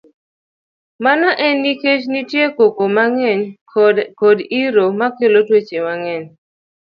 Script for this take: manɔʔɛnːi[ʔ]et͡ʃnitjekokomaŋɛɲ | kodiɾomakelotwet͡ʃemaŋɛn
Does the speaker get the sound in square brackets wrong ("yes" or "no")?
yes